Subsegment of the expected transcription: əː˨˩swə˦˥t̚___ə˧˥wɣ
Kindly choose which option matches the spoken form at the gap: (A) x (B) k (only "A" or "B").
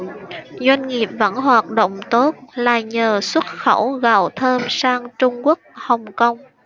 A